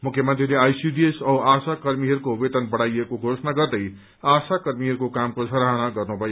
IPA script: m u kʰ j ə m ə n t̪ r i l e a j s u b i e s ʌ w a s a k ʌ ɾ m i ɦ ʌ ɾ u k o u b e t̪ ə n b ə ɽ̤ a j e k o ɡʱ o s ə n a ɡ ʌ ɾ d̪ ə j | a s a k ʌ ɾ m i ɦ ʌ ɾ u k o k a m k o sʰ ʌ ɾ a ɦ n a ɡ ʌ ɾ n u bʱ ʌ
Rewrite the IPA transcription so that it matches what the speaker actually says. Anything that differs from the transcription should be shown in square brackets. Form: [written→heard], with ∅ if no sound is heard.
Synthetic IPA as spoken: m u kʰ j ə m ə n t̪ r i l e a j s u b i e s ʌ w a s a k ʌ ɾ m i ɦ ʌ ɾ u k o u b e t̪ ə n b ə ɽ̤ a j e k o ɡʱ o s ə n a ɡ ʌ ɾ d̪ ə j | a s a k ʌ ɾ m i ɦ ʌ ɾ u k o k a m k o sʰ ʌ ɾ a ɦ n a ɡ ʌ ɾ n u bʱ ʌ